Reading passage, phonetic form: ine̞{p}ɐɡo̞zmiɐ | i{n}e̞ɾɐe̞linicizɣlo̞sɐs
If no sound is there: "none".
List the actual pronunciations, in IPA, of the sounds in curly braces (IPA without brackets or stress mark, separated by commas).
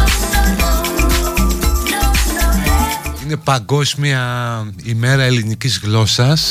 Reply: p, m